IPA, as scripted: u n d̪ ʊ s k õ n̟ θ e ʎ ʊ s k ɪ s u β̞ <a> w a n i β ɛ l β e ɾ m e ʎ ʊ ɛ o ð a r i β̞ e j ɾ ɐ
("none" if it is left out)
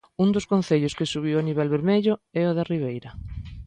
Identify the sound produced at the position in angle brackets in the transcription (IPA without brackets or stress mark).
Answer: i